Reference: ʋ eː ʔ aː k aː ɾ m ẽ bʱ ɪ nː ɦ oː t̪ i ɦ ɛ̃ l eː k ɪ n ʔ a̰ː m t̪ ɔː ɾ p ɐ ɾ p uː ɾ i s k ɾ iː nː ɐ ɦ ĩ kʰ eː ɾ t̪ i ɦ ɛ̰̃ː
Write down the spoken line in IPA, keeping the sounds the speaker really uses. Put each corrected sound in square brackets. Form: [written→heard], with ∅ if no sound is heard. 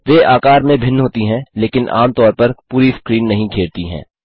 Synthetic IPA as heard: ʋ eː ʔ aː k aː ɾ m ẽ bʱ ɪ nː ɦ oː t̪ i ɦ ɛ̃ l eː k ɪ n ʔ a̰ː m t̪ ɔː ɾ p ɐ ɾ p uː ɾ i s k ɾ iː nː ɐ ɦ ĩ kʰ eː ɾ t̪ i ɦ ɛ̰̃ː